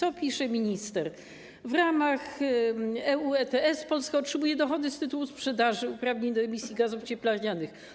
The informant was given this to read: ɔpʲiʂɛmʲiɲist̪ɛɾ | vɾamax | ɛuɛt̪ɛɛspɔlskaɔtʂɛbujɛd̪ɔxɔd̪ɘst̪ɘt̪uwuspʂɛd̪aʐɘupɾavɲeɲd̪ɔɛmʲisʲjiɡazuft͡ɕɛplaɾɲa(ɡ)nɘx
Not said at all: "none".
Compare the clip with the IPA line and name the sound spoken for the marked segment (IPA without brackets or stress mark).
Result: none